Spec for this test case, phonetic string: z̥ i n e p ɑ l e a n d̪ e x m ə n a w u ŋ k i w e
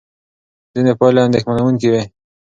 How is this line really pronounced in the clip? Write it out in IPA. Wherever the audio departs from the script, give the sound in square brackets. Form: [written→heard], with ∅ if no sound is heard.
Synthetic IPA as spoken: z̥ i n e p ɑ l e a n d̪ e x m [ə→a] n a w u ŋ k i w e

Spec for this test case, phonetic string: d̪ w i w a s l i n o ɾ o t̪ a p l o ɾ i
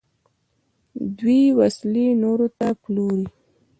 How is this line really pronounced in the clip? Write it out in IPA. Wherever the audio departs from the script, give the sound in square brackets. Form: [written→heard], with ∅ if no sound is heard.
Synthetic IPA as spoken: d̪ w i w a s l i n o ɾ o t̪ a p l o ɾ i

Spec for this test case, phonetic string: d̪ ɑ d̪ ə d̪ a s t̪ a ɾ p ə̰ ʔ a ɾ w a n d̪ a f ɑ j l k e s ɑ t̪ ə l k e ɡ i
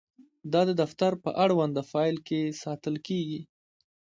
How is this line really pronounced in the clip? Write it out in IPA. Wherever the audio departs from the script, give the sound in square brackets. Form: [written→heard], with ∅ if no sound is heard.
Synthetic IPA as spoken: d̪ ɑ d̪ ə d̪ a [s→f] t̪ a ɾ p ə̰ ʔ a [ɾ→ɽ] w a n d̪ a f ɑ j l k e s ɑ t̪ ə l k e ɡ i

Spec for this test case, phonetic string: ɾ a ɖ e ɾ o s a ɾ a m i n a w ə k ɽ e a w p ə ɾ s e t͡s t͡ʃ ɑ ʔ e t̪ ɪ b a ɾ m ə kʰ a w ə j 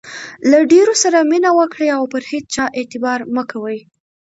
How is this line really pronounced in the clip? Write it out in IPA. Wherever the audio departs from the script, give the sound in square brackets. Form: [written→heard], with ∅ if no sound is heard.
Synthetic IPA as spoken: [ɾ→l] a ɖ e ɾ o s a ɾ a m i n a w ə k ɽ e a w p ə ɾ [s→h] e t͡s t͡ʃ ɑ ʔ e t̪ ɪ b [a→ɑ] ɾ m ə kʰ a w ə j

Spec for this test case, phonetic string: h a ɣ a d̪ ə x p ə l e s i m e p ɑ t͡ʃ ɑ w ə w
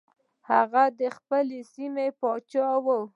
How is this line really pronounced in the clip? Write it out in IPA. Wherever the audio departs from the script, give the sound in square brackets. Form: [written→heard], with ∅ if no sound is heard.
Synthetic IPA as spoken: h a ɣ a d̪ ə x p ə l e s i m e p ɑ t͡ʃ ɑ w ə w

